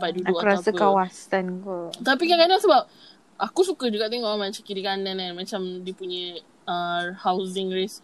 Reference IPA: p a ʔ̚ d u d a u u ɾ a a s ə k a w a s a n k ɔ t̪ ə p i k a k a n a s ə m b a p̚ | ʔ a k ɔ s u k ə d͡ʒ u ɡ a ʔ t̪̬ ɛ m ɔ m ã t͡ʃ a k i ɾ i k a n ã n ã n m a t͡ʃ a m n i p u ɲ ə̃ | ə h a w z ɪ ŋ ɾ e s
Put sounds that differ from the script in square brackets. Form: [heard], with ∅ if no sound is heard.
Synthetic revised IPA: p a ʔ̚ d u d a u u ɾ a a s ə k a w a s a n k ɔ t̪ [a] p i k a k a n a s ə [∅] b a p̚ | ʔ a k [u] s u k ə d͡ʒ u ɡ a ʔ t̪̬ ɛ [ŋ] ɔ m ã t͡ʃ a k i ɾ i k a n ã n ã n m a t͡ʃ a m [d] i p u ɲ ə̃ | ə h a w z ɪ ŋ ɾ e s